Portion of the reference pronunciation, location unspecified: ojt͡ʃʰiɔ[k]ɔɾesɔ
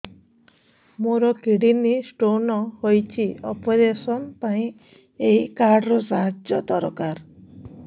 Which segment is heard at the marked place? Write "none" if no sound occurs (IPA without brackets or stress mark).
p